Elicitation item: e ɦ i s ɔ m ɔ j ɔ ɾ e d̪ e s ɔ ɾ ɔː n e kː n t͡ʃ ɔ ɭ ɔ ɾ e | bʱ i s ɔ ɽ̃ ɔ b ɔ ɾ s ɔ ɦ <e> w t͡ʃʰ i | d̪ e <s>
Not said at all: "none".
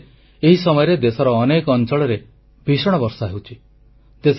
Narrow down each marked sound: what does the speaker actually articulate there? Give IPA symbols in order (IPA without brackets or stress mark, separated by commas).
e, s